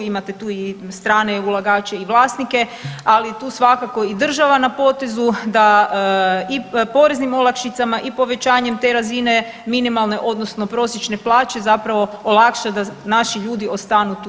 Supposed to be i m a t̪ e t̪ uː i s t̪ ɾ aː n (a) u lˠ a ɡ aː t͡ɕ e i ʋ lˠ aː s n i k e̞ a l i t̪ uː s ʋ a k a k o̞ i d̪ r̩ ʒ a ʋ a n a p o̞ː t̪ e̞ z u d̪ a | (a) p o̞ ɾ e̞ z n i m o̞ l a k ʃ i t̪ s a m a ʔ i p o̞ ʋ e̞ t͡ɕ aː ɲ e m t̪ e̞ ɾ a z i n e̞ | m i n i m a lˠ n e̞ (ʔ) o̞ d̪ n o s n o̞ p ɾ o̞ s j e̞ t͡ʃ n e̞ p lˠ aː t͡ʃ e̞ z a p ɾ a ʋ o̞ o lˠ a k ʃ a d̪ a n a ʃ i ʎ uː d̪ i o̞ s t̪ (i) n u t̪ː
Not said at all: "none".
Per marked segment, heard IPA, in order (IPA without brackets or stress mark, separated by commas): e, i, ʔ, a